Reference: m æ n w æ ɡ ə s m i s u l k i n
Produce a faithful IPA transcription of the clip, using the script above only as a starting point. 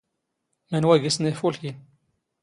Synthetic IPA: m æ n w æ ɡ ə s n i f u l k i n